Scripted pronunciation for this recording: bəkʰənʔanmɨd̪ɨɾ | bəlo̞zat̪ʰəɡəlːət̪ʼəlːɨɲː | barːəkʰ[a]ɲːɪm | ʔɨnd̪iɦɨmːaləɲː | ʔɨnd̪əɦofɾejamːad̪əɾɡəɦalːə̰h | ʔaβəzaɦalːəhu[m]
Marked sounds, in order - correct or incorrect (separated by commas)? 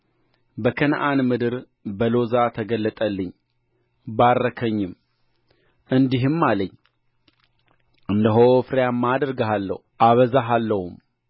incorrect, correct